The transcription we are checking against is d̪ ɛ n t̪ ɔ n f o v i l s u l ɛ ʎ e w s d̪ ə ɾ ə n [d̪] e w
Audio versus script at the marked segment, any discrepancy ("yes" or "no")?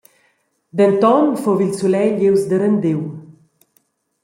no